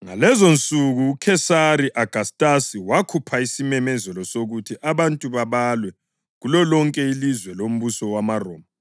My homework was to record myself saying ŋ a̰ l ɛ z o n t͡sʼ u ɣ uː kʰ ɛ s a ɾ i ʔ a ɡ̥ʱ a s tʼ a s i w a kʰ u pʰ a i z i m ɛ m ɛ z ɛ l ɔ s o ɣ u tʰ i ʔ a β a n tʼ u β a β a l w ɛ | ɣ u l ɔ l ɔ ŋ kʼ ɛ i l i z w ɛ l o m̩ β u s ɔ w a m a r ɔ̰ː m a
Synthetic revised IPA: ŋ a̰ l ɛ z o n t͡sʼ u ɣ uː kʰ ɛ s a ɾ i ʔ a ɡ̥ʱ a s tʼ a s i w a kʰ u pʰ a i s i m ɛ m ɛ z ɛ l ɔ s o ɣ u tʰ i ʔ a β a n tʼ u β a β a l w ɛ | ɣ u l ɔ l ɔ ŋ kʼ ɛ i l i z w ɛ l o m̩ β u s ɔ w a m a r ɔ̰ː m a

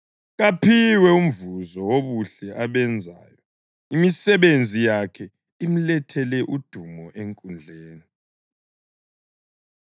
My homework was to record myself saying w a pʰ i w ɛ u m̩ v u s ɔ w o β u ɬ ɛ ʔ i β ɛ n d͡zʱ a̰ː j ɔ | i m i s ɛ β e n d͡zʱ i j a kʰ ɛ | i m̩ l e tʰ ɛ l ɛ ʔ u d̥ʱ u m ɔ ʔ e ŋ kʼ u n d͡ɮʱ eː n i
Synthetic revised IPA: ɣ a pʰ i w ɛ u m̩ v u z ɔ w o β u ɬ ɛ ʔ a β ɛ n d͡zʱ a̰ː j ɔ | i m i s ɛ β e n d͡zʱ i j a kʰ ɛ | i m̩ l ɛ tʰ ɛ l ɛ ʔ u d̥ʱ u m ɔ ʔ e ŋ kʼ u n d͡ɮʱ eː n i

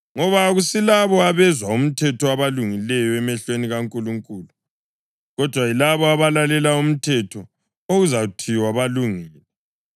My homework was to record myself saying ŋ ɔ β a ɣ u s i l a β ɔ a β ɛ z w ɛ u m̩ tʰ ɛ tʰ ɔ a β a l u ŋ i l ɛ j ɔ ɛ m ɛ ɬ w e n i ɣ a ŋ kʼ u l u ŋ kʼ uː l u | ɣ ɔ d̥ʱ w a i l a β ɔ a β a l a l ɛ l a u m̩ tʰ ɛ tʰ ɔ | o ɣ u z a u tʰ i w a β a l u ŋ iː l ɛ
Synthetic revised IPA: ŋ ɔ β a ɣ u s i l a β ɔ a β ɛ z w a u m̩ tʰ ɛ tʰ ɔ a β a l u ŋ i l ɛ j ɔ ɛ m ɛ ɬ w e n i ɣ a ŋ kʼ u l u ŋ kʼ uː l u | ɣ ɔ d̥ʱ w a i l a β ɔ a β a l a l ɛ l a u m̩ tʰ ɛ tʰ ɔ | o ɣ u z a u tʰ i w a β a l u ŋ iː l ɛ

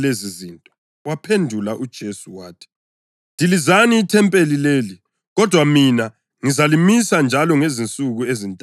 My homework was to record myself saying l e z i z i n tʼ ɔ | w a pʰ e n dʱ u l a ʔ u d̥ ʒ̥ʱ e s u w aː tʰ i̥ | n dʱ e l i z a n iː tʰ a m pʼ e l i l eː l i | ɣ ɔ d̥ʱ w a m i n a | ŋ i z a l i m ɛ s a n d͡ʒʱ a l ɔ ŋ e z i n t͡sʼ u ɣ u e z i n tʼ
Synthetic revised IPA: l e z i z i n tʼ ɔ | w a pʰ e n dʱ u l a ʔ u d̥ ʒ̥ʱ e s u w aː tʰ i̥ | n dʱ i l i z a n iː tʰ ɛ m pʼ e l i l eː l i | ɣ ɔ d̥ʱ w a m i n a | ŋ i z a l i m i s a n d͡ʒʱ a l ɔ ŋ e z i n t͡sʼ u ɣ u e z i n tʼ

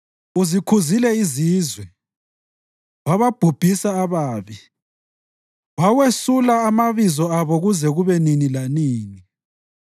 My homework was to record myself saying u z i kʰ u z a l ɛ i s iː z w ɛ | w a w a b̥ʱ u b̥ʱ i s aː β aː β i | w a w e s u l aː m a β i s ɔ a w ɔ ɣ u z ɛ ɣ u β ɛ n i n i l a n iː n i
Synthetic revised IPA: u z i kʰ u z i l ɛ i z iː z w ɛ | w a β a b̥ʱ u b̥ʱ i s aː β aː β i | w a w e s u l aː m a β i z ɔ a β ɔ ɣ u z ɛ ɣ u β ɛ n i n i l a n iː n i

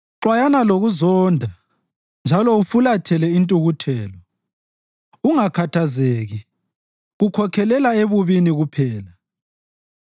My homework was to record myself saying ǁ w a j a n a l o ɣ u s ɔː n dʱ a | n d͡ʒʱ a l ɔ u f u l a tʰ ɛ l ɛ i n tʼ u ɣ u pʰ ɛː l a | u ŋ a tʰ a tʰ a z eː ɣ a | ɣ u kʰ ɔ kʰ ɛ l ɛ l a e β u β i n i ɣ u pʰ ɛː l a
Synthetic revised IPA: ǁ w a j a n a l o ɣ u z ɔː n dʱ a | n d͡ʒʱ a l ɔ u f u l a tʰ ɛ l ɛ i n tʼ u ɣ u tʰ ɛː l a | u ŋ a kʰ a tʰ a z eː ɣ i | ɣ u kʰ ɔ kʰ ɛ l ɛ l a e β u β i n i ɣ u pʰ ɛː l a

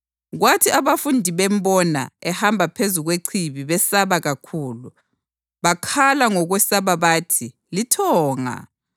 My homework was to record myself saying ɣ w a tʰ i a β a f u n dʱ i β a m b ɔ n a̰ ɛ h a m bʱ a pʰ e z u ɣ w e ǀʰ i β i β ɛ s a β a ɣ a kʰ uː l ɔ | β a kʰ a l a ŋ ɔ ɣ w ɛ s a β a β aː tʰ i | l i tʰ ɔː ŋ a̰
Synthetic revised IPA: ɣ w a tʰ i a β a f u n dʱ i β ɛ m b ɔ n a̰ ɛ h a m bʱ a pʰ e z u ɣ w e ǀʰ i β i β ɛ s a β a ɣ a kʰ uː l u | β a kʰ a l a ŋ ɔ ɣ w ɛ s a β a β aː tʰ i | l i tʰ ɔː ŋ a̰

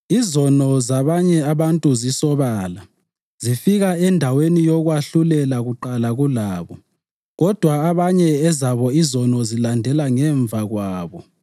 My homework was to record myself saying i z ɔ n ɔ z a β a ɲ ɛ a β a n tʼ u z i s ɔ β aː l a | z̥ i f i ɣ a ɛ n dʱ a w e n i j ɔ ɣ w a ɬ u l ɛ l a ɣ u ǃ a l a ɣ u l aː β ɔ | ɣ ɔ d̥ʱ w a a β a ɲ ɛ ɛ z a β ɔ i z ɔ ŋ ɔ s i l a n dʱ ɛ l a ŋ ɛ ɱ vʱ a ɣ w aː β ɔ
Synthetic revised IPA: i z ɔ n ɔ z a β a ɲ ɛ a β a n tʼ u z i s ɔ β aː l a | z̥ i f i ɣ a ɛ n dʱ a w e n i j ɔ ɣ w a ɬ u l ɛ l a ɣ u ǃ a l a ɣ u l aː β ɔ | ɣ ɔ d̥ʱ w a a β a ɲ ɛ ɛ z a β ɔ i z ɔ n ɔ z i l a n dʱ ɛ l a ŋ ɛ ɱ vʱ a ɣ w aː β ɔ

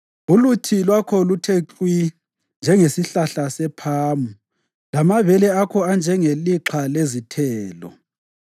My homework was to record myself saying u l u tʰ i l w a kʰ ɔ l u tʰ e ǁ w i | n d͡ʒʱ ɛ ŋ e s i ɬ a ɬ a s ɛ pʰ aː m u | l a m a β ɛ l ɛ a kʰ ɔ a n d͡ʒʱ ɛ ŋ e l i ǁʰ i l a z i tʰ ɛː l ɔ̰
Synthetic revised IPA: u l u tʰ i l w a kʰ ɔ l u tʰ e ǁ w i | n d͡ʒʱ ɛ ŋ e s i ɬ a ɬ a s ɛ pʰ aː m u | l a m a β ɛ l ɛ a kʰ ɔ a n d͡ʒʱ ɛ ŋ e l i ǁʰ a l e z i tʰ ɛː l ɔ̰

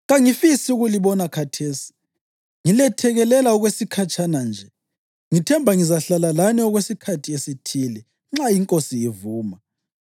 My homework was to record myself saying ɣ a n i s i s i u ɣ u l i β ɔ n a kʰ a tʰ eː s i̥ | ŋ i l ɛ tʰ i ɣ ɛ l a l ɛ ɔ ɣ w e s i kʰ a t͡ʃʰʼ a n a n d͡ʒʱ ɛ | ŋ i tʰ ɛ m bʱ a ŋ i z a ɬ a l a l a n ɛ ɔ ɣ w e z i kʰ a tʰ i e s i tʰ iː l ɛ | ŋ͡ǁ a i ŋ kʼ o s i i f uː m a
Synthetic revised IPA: ɣ a ŋ i f i s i u ɣ u l i β ɔ n a kʰ a tʰ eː s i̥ | ŋ i l ɛ tʰ ɛ ɣ ɛ l ɛ l a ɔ ɣ w e s i kʰ a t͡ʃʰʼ a n a n d͡ʒʱ ɛ | ŋ i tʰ ɛ m bʱ a ŋ i z a ɬ a l a l a n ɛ ɔ ɣ w e s i kʰ a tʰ i e s i tʰ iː l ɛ | ŋ͡ǁ a i ŋ kʼ o s i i v uː m a

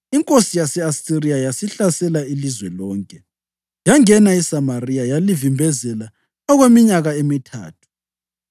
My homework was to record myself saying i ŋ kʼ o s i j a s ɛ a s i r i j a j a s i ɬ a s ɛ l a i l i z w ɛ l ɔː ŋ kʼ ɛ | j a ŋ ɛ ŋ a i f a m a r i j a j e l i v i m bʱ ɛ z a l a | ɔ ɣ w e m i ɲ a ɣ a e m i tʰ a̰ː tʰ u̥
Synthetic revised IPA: i ŋ kʼ o s i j a s ɛ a s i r i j a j a s i ɬ a s ɛ l a i l i z w ɛ l ɔː ŋ kʼ ɛ | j a ŋ ɛ n a i s a m a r i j a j a l i v i m bʱ ɛ z ɛ l a | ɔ ɣ w e m i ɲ a ɣ a e m i tʰ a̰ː tʰ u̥

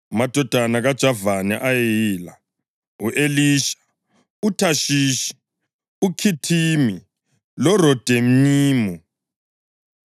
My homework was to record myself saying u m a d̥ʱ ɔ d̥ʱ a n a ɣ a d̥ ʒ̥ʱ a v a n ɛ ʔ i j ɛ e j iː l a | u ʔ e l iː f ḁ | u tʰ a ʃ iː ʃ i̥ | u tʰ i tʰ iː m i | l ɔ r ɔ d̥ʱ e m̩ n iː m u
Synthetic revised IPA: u m a d̥ʱ ɔ d̥ʱ a n a ɣ a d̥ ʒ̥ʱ a v a n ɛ ʔ a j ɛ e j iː l a | u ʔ e l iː ʃ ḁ | u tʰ a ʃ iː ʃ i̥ | u kʰ i tʰ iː m i | l ɔ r ɔ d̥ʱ e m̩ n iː m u

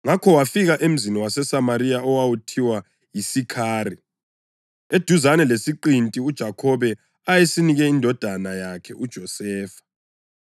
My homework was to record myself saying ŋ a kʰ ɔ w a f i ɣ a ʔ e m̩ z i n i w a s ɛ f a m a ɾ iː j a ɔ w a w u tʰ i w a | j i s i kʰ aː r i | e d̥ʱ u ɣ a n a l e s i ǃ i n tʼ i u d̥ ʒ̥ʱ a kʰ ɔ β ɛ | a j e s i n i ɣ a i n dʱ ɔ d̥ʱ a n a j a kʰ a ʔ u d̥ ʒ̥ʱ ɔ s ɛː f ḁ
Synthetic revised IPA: ŋ a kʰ ɔ w a f i ɣ a ʔ e m̩ z i n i w a s ɛ s a m a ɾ i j a ɔ w a w u tʰ i w a | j i s i kʰ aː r i | e d̥ʱ u z a n ɛ l e s i ǃ i n tʼ i u d̥ ʒ̥ʱ a kʰ ɔ β ɛ | a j e s i n i ɣ ɛ i n dʱ ɔ d̥ʱ a n a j a kʰ ɛ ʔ u d̥ ʒ̥ʱ ɔ s ɛː f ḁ

